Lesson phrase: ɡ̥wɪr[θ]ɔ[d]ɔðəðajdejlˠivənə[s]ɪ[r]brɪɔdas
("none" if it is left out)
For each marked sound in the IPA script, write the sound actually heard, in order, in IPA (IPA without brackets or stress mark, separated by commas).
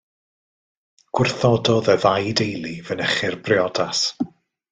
θ, d, χ, r